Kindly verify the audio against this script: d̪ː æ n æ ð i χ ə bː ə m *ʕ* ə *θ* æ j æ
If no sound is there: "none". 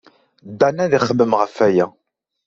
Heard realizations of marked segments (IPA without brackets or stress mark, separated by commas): ʁ, f